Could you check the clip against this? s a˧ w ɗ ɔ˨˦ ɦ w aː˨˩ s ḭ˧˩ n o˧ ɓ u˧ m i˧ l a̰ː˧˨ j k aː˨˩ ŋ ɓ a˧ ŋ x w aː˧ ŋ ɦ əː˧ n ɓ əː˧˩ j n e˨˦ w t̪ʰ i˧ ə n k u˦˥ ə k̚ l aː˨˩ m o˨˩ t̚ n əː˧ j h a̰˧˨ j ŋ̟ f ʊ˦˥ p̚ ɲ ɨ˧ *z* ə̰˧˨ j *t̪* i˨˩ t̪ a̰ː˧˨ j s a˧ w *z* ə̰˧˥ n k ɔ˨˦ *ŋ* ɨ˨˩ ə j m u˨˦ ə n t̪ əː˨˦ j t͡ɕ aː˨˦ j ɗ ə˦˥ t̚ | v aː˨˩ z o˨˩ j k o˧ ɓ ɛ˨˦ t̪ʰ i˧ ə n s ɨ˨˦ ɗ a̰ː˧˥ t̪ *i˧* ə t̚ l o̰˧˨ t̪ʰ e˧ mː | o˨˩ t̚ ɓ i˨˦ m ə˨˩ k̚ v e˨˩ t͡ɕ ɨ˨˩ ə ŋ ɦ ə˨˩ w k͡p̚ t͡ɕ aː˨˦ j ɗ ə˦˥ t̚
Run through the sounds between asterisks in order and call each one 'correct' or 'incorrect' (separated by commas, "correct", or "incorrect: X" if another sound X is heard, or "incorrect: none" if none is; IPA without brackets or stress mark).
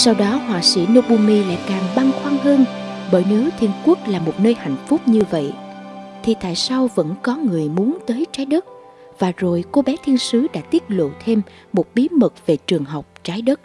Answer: incorrect: v, incorrect: t̪ʰ, incorrect: v, correct, incorrect: i˦˥